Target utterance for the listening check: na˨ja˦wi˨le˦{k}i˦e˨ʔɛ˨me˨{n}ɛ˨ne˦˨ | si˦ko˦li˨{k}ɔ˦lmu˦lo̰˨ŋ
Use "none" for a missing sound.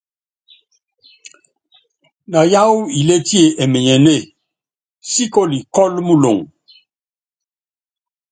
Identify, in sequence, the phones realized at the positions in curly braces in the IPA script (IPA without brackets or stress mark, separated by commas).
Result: t, ɲ, k